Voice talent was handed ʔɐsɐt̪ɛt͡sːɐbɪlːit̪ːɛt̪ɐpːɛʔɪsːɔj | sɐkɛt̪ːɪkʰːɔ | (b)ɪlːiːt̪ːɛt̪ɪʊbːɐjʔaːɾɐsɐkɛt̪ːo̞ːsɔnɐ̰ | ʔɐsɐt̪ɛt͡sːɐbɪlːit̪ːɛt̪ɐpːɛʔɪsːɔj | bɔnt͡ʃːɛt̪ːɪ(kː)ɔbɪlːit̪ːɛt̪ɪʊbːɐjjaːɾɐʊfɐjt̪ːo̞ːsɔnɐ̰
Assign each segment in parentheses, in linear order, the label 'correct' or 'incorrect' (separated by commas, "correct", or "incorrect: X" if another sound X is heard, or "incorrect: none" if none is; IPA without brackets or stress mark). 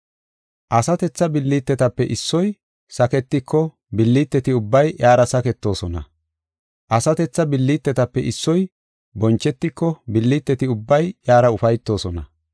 correct, correct